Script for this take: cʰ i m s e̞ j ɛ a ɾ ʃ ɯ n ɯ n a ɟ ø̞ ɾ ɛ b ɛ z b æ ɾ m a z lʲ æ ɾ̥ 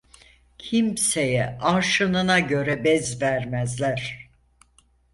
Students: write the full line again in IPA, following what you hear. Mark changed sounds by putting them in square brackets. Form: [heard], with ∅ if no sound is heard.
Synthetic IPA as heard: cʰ i m s e̞ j ɛ a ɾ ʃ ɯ n ɯ n a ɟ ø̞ ɾ ɛ b ɛ z [v] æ ɾ m [æ] z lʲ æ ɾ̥